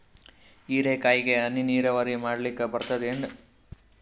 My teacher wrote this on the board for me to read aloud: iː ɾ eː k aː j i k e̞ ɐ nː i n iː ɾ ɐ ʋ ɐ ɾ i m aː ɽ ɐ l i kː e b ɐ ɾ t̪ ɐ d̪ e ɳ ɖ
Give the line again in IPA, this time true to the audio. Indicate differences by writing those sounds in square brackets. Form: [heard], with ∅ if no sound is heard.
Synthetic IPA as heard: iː ɾ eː k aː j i [ɡ] e̞ ɐ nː i n iː ɾ ɐ ʋ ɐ ɾ i m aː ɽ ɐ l i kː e b ɐ ɾ t̪ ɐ d̪ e ɳ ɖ